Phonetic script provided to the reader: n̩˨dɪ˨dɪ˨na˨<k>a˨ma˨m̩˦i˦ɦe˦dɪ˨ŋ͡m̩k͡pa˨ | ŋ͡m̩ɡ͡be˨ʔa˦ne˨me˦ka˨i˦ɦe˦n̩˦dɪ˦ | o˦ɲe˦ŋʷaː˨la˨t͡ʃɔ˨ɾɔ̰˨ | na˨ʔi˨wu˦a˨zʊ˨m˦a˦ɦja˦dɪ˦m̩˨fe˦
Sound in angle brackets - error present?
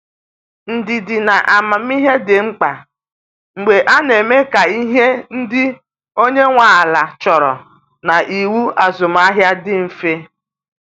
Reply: yes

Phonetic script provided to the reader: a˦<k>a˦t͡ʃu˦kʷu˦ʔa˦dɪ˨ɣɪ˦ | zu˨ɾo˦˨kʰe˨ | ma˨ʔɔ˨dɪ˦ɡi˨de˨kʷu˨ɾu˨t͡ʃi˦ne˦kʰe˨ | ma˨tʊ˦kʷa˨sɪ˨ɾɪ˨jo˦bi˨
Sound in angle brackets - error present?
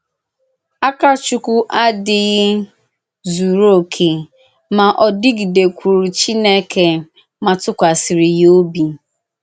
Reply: no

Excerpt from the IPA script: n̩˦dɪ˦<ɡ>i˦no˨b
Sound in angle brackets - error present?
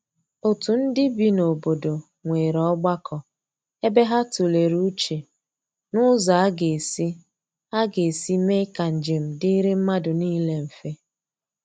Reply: yes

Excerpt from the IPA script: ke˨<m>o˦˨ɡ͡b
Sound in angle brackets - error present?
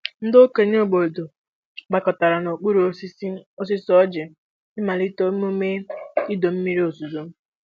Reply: yes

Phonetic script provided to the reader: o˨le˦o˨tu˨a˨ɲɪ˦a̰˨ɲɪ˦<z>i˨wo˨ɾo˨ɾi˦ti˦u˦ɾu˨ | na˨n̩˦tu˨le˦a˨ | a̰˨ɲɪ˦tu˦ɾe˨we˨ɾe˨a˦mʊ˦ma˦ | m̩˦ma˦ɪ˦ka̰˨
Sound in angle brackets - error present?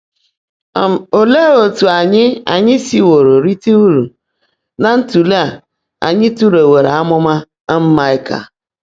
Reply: yes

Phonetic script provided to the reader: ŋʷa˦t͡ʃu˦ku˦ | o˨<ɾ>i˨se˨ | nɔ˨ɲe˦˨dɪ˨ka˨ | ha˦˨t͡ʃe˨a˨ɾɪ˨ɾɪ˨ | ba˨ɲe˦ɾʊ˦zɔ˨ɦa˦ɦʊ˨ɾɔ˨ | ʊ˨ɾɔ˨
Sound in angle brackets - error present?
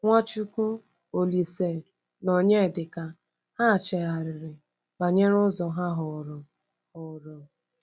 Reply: yes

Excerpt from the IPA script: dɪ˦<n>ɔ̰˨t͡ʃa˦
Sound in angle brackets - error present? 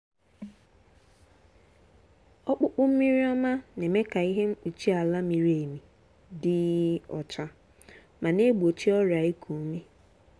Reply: yes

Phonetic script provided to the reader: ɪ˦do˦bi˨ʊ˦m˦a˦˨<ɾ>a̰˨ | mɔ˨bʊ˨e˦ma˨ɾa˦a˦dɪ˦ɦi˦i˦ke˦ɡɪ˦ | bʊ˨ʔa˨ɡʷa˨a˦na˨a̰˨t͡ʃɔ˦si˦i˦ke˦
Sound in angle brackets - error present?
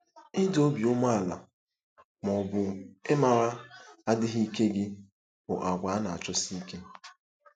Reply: yes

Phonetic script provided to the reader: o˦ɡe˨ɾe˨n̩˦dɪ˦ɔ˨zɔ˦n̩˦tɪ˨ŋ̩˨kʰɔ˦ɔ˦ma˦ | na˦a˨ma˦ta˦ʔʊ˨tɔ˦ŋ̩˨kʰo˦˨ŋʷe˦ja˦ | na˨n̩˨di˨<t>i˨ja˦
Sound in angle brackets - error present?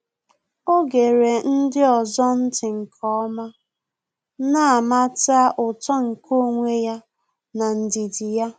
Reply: yes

